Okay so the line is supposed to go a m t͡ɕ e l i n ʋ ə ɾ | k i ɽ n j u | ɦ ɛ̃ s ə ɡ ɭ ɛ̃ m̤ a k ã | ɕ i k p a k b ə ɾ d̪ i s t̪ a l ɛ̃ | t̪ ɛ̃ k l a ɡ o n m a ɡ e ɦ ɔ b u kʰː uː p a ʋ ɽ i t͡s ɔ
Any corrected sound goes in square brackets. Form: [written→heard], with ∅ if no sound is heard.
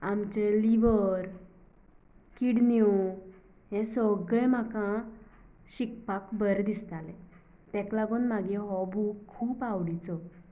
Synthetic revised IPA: a m t͡ɕ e l i [n→∅] ʋ ə ɾ | k i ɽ n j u | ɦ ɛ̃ s ə ɡ ɭ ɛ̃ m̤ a k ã | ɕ i k p a k b ə ɾ d̪ i s t̪ a l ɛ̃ | t̪ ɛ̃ k l a ɡ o n m a ɡ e ɦ ɔ b u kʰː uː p a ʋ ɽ i t͡s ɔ